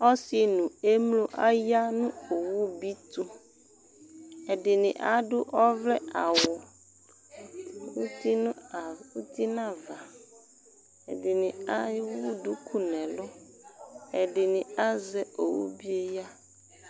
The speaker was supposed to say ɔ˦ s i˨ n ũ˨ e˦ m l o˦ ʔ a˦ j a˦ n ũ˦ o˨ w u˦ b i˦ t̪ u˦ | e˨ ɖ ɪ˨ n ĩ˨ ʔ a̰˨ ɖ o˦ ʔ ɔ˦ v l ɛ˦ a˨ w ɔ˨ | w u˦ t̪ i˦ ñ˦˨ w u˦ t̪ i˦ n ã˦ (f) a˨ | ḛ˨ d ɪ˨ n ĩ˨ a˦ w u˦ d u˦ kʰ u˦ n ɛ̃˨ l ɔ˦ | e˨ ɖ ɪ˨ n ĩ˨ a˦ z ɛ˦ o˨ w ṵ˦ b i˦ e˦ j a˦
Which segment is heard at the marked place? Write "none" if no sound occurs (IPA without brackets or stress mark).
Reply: v